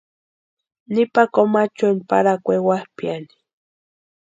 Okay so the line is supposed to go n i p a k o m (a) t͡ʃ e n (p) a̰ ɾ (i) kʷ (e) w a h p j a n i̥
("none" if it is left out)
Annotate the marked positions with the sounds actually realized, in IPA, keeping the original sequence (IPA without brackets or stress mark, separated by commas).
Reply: a, p, a, e